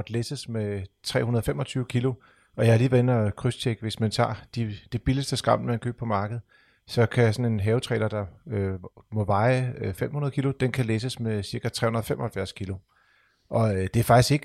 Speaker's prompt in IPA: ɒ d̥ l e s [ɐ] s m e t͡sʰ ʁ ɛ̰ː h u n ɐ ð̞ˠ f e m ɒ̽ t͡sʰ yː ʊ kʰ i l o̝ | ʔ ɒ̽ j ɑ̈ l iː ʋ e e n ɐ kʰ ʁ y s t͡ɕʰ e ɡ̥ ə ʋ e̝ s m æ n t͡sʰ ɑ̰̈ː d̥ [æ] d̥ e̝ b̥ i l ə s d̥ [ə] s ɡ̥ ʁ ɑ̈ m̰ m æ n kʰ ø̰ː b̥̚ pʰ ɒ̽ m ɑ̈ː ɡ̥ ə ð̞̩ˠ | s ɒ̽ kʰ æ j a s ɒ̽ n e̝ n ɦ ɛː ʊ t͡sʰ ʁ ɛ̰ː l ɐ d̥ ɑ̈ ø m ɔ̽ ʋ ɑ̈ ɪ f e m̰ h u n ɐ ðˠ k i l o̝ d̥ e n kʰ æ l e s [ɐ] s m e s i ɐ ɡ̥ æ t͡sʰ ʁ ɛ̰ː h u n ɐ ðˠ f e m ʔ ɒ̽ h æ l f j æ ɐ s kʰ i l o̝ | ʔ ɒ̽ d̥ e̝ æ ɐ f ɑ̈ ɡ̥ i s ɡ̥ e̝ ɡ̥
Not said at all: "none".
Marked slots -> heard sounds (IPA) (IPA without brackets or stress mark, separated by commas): ə, i, ə, ə